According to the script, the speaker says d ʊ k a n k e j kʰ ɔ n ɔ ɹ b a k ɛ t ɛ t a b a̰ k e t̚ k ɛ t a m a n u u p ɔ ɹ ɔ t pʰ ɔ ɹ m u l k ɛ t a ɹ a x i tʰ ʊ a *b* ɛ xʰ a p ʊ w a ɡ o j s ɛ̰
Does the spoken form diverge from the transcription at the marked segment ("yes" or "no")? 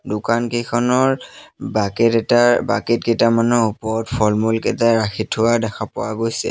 yes